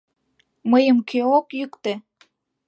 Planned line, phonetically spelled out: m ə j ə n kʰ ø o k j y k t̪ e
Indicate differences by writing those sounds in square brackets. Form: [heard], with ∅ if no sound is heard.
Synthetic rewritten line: m ə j ə [m] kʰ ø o k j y k t̪ e